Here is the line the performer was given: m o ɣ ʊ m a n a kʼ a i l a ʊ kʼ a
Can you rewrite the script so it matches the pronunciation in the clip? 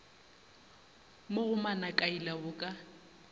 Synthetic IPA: m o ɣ ʊ m a n a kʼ a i l a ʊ kʼ a